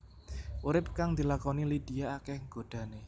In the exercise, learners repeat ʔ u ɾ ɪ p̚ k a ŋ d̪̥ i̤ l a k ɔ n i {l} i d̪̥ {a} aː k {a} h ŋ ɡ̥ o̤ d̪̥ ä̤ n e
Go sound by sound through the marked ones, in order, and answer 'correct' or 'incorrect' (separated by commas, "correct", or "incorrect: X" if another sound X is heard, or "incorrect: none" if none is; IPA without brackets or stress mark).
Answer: correct, incorrect: i, incorrect: ɛ